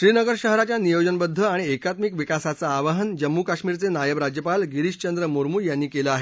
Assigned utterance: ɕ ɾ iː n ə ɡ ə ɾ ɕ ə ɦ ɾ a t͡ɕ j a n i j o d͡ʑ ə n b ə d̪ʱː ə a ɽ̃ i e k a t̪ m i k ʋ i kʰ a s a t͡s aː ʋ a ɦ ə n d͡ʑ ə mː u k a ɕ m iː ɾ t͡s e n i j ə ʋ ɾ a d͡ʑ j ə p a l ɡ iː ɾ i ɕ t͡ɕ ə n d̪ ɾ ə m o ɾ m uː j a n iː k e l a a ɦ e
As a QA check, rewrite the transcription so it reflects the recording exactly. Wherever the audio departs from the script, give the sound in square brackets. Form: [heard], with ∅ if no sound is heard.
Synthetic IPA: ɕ ɾ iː n ə ɡ ə ɾ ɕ ə ɦ ɾ a t͡ɕ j a n i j o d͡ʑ ə n b ə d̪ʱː ə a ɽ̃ i e k a t̪ m i k ʋ i [k] a s a t͡s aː ʋ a ɦ ə n d͡ʑ ə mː u k a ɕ m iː ɾ t͡s e n [a] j ə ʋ ɾ a d͡ʑ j ə p a l ɡ [i] ɾ i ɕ t͡ɕ ə n d̪ ɾ ə m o ɾ m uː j a [nː] iː k e l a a ɦ e